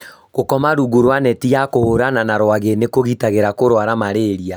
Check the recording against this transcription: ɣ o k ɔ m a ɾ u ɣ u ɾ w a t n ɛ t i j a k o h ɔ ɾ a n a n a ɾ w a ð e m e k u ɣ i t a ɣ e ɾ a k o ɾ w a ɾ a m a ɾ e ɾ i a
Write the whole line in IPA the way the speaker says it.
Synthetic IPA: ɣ o k ɔ m a ɾ u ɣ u ɾ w a n ɛ t i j a k o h o ɾ a n a n a ɾ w a ɣ e n e k o ɣ i t a ɣ e ɾ a k o ɾ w a ɾ a m a ɾ e ɾ i a